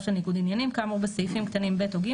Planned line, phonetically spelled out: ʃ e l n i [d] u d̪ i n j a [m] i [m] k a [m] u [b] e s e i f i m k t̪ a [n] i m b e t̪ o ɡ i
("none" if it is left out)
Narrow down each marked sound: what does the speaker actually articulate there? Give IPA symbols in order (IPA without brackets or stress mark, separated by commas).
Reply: ɡ, n, m, m, b, n